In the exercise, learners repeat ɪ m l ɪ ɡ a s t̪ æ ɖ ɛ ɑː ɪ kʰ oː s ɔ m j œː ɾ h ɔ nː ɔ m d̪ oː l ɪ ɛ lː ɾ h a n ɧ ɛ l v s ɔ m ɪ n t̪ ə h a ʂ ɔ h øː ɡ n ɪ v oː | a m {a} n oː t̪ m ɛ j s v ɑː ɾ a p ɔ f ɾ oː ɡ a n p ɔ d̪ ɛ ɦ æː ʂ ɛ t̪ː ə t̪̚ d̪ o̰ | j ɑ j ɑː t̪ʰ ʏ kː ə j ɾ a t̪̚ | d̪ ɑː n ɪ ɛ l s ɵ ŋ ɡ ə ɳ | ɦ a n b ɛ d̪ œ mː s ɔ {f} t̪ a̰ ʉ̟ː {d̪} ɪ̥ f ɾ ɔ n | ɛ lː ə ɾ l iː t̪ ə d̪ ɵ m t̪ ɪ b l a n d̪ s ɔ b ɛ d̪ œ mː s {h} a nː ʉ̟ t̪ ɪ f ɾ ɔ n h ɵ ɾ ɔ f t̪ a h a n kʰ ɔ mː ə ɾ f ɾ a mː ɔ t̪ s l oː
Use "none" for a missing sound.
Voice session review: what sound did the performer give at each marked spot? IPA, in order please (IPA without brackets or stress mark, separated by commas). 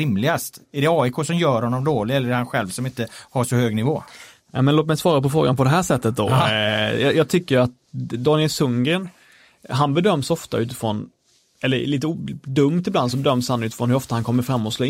ɛ, f, t̪, h